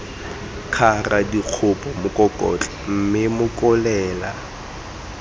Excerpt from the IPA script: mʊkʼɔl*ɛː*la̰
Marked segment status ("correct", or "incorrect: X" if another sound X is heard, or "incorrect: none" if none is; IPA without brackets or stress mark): correct